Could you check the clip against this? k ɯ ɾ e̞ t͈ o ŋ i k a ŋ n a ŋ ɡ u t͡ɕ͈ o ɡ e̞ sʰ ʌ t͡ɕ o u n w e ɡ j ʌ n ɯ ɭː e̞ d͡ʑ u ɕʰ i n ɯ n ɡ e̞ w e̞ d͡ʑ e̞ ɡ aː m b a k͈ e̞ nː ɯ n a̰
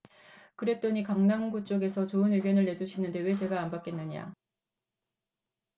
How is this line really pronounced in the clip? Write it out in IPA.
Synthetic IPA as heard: k ɯ ɾ e̞ t͈ o ɲ i k a ŋ n a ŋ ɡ u t͡ɕ͈ o ɡ e̞ sʰ ʌ t͡ɕ o ɯ n w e ɡ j ʌ n ɯ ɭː e̞ d͡ʑ u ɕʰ i n ɯ n d e̞ w e̞ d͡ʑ e̞ ɡ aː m b a k͈ e̞ nː ɯ ɲ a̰

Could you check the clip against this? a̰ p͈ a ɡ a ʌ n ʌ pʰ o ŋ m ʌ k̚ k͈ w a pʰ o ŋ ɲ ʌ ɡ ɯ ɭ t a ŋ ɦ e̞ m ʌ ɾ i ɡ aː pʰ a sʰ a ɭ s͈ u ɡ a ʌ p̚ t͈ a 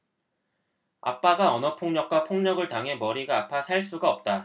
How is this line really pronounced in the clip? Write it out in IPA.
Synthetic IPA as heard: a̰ p͈ a ɡ a ʌ n ʌ pʰ o ŋ ɲ ʌ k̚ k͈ w a pʰ o ŋ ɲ ʌ ɡ ɯ ɭ t a ŋ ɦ e̞ m ʌ ɾ i ɡ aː pʰ a sʰ a ɭ s͈ u ɡ a ʌ p̚ t͈ a

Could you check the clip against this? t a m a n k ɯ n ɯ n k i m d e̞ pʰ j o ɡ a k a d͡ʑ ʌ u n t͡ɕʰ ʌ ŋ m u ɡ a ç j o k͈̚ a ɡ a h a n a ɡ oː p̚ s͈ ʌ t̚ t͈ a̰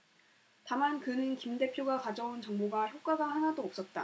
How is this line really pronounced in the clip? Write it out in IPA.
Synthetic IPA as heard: t a m a n k ɯ n ɯ n k i m d e̞ pʰ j o ɡ a k a d͡ʑ ʌ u n t͡ɕ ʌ ŋ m o ɡ a ç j o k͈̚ a ɡ a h a n a d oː p̚ s͈ ʌ t̚ t͈ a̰

